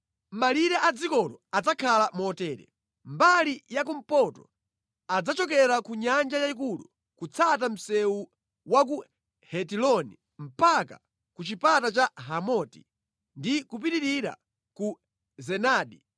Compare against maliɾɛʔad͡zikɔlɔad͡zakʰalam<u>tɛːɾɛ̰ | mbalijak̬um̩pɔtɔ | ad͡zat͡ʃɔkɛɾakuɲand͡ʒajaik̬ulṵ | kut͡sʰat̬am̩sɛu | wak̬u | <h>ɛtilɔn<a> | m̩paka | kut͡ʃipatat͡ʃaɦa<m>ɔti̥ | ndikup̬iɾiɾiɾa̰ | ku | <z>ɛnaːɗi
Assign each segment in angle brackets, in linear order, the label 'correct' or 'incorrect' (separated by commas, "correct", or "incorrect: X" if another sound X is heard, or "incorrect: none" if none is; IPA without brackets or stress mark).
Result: incorrect: ɔ, correct, incorrect: i, correct, correct